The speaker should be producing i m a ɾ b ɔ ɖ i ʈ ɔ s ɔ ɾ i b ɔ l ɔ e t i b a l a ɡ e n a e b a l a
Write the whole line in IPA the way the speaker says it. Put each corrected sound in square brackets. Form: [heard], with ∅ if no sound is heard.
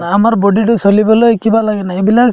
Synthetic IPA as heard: [a] m a ɾ b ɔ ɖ i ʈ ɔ s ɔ [l] i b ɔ l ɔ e [k] i b a l a ɡ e n a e b [i] l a